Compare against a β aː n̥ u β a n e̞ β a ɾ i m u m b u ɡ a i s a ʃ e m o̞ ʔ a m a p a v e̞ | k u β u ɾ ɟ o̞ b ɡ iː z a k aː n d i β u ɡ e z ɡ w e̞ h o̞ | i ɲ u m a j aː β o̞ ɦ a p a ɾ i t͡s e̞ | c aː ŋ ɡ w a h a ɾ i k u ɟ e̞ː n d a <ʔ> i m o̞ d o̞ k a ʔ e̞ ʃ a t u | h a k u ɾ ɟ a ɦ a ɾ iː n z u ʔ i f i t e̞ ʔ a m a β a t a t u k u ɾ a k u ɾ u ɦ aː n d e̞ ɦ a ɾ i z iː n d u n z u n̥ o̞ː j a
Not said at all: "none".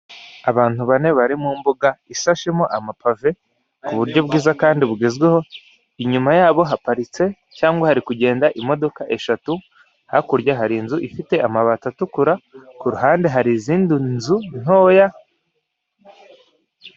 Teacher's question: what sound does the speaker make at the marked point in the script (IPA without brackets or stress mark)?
ʔ